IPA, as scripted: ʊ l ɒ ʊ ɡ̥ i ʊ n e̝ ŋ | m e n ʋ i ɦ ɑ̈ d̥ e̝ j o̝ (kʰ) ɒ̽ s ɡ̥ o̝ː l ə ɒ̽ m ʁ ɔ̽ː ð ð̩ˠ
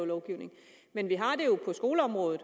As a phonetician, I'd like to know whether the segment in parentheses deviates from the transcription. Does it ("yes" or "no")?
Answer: yes